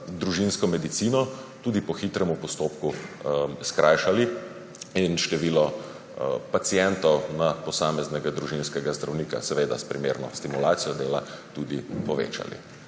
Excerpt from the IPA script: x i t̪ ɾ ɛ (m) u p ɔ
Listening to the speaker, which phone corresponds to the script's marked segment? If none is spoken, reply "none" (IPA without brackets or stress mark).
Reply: m